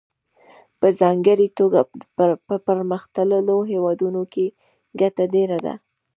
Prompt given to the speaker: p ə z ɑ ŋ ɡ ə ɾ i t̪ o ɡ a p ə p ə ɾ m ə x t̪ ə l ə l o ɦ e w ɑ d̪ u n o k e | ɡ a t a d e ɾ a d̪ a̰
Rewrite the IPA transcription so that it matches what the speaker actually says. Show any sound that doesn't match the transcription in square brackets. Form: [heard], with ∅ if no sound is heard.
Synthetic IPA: p ə z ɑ ŋ ɡ ə ɾ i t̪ o ɡ a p ə p ə ɾ m ə x t̪ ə l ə l o ɦ e w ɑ d̪ u n o k e | ɡ a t a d e ɾ a d̪ a̰

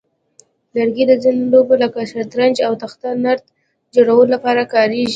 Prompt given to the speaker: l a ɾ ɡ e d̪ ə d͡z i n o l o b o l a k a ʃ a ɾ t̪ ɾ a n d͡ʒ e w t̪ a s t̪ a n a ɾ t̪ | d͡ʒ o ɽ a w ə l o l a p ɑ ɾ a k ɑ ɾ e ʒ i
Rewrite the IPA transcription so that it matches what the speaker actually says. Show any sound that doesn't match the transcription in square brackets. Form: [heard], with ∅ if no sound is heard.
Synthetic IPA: l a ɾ ɡ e d̪ ə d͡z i n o l o b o l a k a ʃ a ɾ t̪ ɾ a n d͡ʒ [a] w t̪ a [x] t̪ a n a ɾ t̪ | d͡ʒ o ɽ a w ə l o l a p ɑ ɾ a k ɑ ɾ e ʒ i

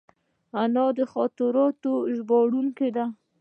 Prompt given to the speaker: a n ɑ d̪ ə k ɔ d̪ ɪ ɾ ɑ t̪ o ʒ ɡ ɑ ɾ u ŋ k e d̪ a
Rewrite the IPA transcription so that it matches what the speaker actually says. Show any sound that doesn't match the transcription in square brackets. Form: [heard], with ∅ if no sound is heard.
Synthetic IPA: a n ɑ d̪ ə [x] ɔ [t̪] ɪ ɾ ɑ t̪ o ʒ [b] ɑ [ɽ] u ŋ k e d̪ a

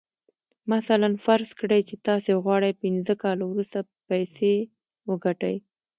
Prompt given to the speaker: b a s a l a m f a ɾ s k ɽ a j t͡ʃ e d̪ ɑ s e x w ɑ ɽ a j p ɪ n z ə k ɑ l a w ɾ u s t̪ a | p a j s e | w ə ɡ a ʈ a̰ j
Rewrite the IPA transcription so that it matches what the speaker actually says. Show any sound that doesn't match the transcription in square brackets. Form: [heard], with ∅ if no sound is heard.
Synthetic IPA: [m] a s a l a [n] f a ɾ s k ɽ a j t͡ʃ e [t̪] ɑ s e [ɣ] w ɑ ɽ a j p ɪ n z ə k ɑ l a w ɾ u s t̪ a | p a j s e | w ə ɡ a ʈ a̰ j

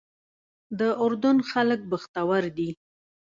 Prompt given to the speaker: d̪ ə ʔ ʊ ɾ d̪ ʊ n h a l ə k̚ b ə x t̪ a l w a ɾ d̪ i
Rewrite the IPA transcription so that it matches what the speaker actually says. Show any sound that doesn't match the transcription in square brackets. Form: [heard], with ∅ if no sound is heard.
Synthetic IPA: d̪ ə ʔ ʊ ɾ d̪ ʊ n [x] a l ə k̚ b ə x t̪ a [∅] w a ɾ d̪ i

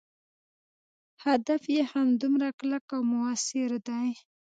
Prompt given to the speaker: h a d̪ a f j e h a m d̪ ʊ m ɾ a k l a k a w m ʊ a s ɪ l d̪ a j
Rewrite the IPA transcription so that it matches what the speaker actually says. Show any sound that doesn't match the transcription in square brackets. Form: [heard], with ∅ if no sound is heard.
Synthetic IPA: h a d̪ a f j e h a m d̪ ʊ m ɾ a k l a k a w m ʊ a s ɪ [ɾ] d̪ a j

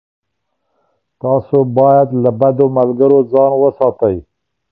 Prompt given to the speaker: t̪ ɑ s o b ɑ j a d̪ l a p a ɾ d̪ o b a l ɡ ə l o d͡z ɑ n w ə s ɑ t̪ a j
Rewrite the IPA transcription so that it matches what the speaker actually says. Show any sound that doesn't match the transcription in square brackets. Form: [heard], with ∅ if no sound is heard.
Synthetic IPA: t̪ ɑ s o b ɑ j a d̪ l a [b] a [∅] d̪ o [m] a l ɡ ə [ɾ] o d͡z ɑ n w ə s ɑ t̪ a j

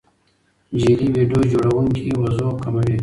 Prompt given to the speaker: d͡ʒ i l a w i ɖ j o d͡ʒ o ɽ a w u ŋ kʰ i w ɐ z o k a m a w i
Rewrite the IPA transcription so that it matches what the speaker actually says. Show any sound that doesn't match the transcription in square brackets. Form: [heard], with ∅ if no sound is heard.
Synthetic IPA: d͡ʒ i l [i] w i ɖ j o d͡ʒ o ɽ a w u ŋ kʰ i w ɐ z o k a m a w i

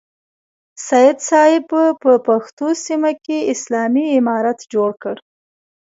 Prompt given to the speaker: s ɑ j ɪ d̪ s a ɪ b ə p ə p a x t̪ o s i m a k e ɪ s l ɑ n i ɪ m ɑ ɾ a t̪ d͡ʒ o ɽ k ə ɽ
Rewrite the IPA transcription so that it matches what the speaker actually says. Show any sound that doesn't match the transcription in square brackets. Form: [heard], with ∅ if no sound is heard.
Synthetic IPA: s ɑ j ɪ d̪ s [ɑ] ɪ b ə p ə p a x t̪ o s i m a k e ɪ s l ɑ [m] i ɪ m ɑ ɾ a t̪ d͡ʒ o ɽ k ə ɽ

